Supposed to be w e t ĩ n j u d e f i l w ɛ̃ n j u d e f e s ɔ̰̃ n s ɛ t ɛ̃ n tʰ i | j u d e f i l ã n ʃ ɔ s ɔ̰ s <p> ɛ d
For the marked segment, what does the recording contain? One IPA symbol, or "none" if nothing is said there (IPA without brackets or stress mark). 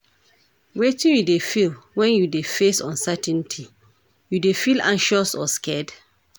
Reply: k